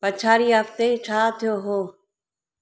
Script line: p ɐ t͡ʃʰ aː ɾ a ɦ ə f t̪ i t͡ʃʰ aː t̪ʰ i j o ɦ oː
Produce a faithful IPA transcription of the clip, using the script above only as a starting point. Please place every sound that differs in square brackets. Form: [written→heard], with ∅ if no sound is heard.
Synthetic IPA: p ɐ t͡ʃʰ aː ɾ [a→i] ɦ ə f t̪ [i→e] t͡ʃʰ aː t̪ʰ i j o ɦ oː